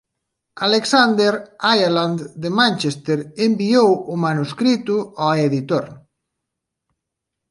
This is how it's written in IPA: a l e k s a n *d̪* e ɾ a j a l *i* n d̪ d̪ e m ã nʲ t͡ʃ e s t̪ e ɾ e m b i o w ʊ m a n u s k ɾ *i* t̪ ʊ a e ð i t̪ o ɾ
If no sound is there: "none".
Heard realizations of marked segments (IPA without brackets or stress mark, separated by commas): d̪, a, i